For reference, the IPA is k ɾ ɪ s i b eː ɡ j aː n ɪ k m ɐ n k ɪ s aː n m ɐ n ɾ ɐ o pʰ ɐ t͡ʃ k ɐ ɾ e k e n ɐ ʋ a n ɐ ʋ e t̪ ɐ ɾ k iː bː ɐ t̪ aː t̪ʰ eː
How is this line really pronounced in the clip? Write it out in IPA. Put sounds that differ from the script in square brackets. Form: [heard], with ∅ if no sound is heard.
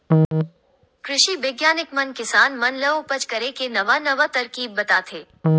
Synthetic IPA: k ɾ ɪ [ʃ] i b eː ɡ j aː n ɪ k m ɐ n k ɪ s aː n m ɐ n [l] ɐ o [p] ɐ t͡ʃ k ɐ ɾ e k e n ɐ ʋ a n ɐ ʋ [a] t̪ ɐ ɾ k iː bː ɐ t̪ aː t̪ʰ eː